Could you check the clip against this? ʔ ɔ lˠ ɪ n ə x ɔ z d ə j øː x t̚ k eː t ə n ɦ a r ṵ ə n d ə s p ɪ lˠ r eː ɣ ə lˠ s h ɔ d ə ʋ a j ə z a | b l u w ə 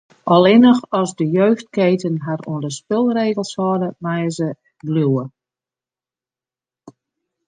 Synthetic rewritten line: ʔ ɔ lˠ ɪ n ə x ɔ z d ə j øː x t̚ k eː t ə n ɦ a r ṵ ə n d ə s p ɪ lˠ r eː ɣ ə lˠ s h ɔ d ə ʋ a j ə z ə | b l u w ə